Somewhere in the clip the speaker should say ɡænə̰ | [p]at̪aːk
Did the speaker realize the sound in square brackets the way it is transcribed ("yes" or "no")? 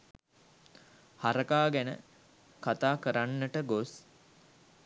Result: no